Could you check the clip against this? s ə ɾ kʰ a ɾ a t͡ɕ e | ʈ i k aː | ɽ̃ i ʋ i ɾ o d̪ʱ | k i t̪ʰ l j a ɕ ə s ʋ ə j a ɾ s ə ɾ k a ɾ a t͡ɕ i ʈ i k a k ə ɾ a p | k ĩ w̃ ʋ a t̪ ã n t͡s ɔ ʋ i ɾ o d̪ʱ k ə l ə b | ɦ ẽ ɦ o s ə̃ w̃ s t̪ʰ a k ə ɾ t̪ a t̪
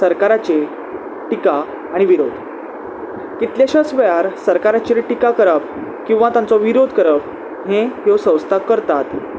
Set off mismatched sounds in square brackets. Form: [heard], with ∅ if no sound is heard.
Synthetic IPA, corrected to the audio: s ə ɾ [k] a ɾ a t͡ɕ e | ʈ i k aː | ɽ̃ i ʋ i ɾ o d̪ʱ | k i [t̪] l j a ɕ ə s ʋ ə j a ɾ s ə ɾ k a ɾ a t͡ɕ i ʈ i k a k ə ɾ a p | k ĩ w̃ ʋ a t̪ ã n t͡s ɔ ʋ i ɾ o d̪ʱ k ə [ɾ] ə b | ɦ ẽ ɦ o s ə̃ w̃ s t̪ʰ a k ə ɾ t̪ a t̪